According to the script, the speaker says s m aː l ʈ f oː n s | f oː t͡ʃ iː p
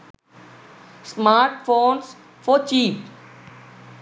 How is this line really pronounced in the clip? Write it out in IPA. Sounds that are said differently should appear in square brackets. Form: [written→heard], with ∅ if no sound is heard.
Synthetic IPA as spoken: s m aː [l→ɾ] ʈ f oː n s | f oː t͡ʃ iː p